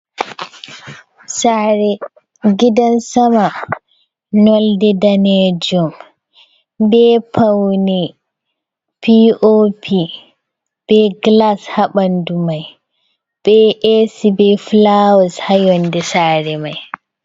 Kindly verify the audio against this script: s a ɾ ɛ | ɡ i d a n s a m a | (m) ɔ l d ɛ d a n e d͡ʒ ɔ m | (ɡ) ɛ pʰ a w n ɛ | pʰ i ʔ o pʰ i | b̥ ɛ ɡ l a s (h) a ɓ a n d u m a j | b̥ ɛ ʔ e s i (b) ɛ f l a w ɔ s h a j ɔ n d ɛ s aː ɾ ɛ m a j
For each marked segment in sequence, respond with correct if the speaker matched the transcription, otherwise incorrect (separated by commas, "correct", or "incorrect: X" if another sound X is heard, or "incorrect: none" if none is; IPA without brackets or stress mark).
incorrect: n, incorrect: b, correct, correct